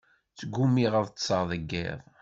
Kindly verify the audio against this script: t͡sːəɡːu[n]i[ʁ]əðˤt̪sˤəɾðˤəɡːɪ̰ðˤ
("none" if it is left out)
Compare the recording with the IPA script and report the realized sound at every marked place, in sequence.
m, ʁ

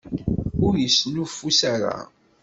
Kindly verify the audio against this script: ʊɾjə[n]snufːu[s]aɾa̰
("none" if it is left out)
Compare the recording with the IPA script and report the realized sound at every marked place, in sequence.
none, s

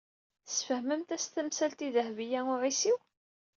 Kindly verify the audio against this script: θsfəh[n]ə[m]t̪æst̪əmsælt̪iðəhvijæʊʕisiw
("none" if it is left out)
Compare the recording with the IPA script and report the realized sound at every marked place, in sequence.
m, m

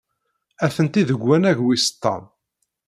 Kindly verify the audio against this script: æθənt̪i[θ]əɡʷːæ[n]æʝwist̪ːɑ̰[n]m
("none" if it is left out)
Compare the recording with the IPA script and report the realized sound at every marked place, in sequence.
ð, n, none

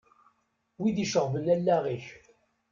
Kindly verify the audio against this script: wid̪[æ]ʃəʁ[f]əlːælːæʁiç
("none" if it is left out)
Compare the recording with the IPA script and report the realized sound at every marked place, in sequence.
i, v

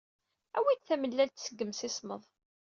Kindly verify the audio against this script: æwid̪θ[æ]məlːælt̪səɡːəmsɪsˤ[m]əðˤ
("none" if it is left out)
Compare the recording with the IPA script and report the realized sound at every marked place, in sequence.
æ, m

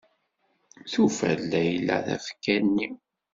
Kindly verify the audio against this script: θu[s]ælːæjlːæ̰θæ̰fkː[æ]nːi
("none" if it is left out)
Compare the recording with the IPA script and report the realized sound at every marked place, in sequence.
f, æ

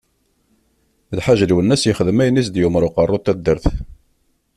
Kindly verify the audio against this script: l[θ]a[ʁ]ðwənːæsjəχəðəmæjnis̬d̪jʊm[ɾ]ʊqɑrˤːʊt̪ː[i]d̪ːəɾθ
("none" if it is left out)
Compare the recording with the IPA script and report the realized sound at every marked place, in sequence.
ħ, ʒ, ɾ, æ

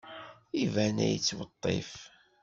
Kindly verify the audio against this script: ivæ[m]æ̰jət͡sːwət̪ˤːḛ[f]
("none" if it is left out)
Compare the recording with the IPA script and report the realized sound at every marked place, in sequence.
n, f

